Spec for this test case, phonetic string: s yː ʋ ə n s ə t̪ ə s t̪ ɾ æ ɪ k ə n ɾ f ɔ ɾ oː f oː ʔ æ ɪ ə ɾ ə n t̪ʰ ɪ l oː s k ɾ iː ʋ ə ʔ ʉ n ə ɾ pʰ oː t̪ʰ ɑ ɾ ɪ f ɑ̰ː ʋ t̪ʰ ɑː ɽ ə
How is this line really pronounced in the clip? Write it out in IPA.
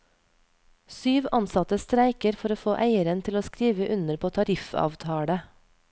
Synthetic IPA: s yː ʋ ɑ n s ɑ t̪ ə s t̪ ɾ æ ɪ k ə ɾ f ɔ ɾ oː f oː ʔ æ ɪ ə ɾ ə n t̪ʰ ɪ l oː s k ɾ iː ʋ ə ʔ ʉ n ə ɾ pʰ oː t̪ʰ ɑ ɾ ɪ f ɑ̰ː ʋ t̪ʰ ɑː ɽ ə